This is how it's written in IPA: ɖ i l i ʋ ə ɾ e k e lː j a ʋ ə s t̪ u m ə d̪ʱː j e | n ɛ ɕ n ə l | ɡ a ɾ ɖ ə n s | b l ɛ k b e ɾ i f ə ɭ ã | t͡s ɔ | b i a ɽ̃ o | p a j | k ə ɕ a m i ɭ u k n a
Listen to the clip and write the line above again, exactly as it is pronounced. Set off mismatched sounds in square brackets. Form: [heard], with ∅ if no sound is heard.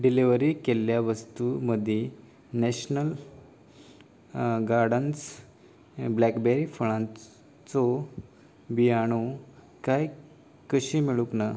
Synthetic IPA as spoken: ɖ i l i ʋ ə ɾ [i] k e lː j a ʋ ə s t̪ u m ə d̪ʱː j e | n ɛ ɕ n ə l | ɡ a ɾ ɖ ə n s | b l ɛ k b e ɾ i f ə ɭ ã | t͡s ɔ | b i a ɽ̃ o | [k] a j | k ə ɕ [i] m i ɭ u k n a